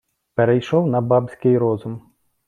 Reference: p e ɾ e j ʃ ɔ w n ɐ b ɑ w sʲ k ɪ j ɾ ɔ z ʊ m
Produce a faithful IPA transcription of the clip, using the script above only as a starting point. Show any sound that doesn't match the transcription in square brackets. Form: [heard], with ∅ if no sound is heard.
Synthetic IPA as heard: p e ɾ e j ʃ ɔ w n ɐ b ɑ [b] sʲ k ɪ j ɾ ɔ z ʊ m